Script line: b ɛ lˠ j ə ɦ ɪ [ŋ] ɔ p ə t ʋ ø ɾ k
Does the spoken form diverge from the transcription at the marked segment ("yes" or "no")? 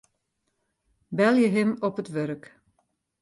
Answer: yes